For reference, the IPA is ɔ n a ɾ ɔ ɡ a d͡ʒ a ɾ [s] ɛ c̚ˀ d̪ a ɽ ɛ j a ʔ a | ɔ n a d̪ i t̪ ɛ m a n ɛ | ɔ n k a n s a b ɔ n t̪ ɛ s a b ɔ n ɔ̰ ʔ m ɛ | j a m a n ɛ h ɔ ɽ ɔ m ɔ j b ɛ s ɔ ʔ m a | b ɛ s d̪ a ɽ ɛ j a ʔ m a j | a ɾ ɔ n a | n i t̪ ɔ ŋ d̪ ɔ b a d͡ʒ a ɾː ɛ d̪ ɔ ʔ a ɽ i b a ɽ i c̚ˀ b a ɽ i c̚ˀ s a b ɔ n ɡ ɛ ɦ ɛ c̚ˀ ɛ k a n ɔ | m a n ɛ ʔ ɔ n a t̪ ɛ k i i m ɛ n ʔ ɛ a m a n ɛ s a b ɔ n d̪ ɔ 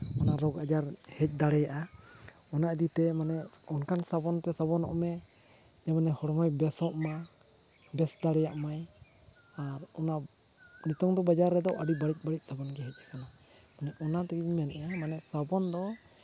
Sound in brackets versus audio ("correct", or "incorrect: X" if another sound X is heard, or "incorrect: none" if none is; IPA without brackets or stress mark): incorrect: h